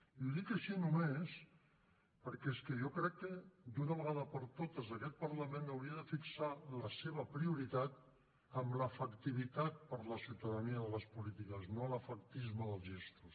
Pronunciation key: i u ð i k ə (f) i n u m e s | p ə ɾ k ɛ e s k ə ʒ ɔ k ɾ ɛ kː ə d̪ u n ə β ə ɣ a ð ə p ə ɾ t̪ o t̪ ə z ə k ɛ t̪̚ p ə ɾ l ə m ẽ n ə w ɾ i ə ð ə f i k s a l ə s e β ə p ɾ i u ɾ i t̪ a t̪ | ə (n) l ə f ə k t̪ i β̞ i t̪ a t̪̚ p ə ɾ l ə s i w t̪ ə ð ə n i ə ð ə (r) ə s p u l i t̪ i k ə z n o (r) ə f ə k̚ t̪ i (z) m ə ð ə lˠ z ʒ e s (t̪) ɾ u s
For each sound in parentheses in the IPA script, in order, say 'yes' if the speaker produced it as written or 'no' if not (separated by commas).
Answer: no, no, no, no, yes, yes